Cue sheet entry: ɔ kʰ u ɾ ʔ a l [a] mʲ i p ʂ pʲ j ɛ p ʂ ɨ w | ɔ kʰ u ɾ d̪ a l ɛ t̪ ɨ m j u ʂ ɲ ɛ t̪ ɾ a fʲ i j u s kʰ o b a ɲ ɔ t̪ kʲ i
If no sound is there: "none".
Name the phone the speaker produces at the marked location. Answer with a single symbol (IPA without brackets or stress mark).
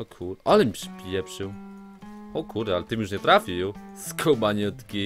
ɛ